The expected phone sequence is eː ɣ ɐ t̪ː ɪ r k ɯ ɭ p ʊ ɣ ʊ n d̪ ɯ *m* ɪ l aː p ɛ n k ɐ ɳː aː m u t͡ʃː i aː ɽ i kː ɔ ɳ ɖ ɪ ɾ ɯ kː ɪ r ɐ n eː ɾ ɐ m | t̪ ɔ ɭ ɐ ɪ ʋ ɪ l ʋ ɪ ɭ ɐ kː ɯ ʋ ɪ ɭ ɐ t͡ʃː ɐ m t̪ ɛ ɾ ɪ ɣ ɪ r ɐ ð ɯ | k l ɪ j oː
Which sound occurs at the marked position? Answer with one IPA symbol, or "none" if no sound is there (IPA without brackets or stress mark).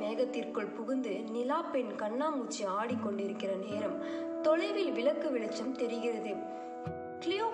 n